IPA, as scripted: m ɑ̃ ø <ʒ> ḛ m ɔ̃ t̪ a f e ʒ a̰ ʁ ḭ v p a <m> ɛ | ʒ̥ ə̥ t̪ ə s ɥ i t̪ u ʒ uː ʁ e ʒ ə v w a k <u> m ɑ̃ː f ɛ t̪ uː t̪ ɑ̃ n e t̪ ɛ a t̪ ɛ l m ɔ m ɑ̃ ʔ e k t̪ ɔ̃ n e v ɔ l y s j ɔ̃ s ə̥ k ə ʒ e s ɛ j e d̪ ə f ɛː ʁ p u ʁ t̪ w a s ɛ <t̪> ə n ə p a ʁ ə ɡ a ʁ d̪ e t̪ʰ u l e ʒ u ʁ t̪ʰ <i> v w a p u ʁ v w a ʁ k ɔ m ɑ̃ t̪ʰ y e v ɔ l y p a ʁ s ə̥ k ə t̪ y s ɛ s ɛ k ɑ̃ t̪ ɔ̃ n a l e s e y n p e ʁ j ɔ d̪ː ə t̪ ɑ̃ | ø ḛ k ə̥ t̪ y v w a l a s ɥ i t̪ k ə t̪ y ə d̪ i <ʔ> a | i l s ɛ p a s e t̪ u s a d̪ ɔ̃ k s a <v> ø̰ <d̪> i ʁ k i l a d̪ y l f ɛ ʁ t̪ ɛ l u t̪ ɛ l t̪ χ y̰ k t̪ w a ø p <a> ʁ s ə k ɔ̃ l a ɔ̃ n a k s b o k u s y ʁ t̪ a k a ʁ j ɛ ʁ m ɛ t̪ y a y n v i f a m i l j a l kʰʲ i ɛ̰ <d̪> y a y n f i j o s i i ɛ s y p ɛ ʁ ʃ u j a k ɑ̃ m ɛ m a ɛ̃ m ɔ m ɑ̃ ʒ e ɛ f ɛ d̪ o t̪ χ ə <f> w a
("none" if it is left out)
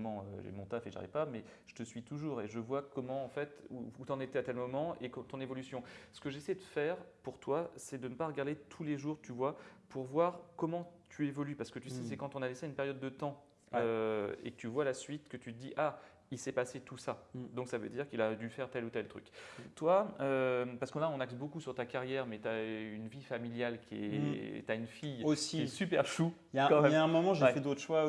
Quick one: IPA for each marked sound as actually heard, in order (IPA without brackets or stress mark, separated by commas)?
ʒ, m, ɔ, d̪, y, ʔ, v, d̪, a, t̪, ʃ